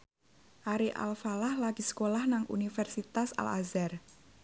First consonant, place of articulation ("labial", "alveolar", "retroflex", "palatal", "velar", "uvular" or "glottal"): glottal